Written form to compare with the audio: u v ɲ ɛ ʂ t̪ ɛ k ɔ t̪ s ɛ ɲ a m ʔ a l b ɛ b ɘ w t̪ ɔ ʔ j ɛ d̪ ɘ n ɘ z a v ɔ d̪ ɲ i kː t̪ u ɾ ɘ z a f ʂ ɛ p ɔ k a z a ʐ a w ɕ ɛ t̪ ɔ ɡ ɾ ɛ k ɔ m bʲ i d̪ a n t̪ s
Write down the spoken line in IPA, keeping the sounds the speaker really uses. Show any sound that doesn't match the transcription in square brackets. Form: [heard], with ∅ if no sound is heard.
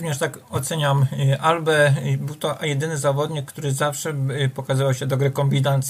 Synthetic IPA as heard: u v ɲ ɛ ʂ t̪ [a] k ɔ t̪ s ɛ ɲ a m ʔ a l b ɛ b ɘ w t̪ ɔ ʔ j ɛ d̪ ɘ n ɘ z a v ɔ d̪ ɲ i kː t̪ u ɾ ɘ z a f ʂ ɛ p ɔ k a z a [v] a w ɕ ɛ [d̪] ɔ ɡ ɾ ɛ k ɔ m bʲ i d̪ a n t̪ s